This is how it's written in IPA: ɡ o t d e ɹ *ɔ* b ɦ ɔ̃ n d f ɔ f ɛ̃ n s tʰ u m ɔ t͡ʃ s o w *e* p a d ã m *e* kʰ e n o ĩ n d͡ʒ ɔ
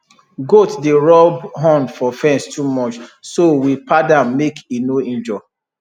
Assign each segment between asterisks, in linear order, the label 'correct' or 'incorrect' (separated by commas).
correct, incorrect, correct